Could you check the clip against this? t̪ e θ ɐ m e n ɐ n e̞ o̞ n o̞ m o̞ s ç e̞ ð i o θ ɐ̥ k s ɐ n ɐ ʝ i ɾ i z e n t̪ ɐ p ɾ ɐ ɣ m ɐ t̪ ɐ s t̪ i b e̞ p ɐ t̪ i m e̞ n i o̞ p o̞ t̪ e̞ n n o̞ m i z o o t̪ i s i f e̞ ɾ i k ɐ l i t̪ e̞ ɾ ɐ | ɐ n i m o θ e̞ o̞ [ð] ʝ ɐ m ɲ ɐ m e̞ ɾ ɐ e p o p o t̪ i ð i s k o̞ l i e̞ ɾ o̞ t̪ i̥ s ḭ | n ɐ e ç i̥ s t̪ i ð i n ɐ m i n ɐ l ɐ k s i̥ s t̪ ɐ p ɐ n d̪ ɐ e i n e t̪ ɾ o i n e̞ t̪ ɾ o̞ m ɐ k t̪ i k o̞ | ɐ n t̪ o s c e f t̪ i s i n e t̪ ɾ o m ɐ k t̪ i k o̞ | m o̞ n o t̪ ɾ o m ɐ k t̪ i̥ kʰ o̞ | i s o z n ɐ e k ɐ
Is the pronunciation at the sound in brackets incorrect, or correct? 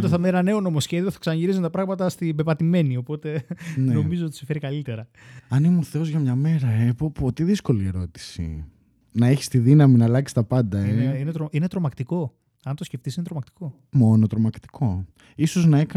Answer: incorrect